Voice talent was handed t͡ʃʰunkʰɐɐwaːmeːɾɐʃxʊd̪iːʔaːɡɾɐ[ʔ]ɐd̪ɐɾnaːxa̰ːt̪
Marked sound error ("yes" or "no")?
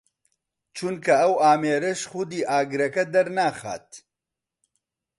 yes